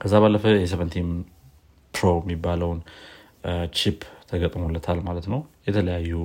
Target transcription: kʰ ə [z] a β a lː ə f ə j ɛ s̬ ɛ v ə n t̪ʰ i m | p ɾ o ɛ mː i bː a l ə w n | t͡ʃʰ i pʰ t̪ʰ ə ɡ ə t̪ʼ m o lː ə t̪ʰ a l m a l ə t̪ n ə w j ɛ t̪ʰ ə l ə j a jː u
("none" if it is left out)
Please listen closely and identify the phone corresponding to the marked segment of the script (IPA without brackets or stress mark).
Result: zː